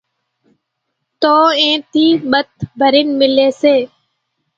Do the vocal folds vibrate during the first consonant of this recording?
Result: no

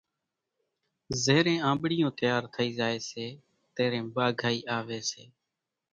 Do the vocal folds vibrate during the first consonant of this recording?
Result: yes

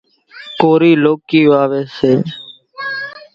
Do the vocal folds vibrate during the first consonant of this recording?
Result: no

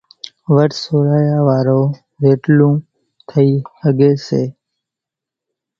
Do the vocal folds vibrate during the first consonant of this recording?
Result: yes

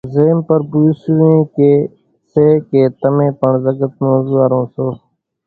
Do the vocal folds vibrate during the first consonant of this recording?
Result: yes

